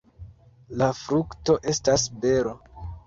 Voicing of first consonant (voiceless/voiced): voiced